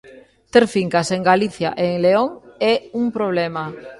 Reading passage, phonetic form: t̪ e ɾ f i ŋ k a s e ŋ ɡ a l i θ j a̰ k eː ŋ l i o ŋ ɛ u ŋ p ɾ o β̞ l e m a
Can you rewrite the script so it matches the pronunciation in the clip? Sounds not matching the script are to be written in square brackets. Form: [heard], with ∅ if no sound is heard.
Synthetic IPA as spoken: t̪ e ɾ f i ŋ k a s e ŋ ɡ a l i θ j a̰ [ʔ] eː ŋ l [e] o ŋ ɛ u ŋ p ɾ o β̞ l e m a